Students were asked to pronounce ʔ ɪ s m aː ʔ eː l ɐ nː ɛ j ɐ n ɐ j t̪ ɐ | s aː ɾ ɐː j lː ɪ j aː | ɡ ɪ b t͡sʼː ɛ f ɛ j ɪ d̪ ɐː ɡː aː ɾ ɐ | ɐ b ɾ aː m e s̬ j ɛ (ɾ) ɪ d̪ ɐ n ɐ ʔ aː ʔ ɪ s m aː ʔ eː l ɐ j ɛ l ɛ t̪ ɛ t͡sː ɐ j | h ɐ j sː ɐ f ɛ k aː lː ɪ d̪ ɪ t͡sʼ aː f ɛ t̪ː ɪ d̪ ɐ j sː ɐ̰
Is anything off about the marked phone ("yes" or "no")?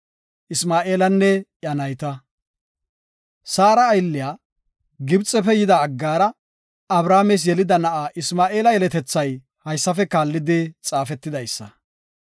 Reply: yes